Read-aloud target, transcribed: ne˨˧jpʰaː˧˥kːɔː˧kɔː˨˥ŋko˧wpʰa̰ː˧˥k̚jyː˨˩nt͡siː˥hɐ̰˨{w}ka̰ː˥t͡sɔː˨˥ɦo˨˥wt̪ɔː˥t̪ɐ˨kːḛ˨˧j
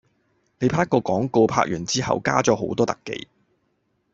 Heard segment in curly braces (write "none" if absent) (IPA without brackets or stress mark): w